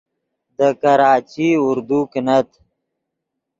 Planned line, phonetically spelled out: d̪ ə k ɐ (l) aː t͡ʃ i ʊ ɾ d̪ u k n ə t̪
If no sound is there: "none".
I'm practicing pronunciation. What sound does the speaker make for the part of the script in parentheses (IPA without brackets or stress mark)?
ɾ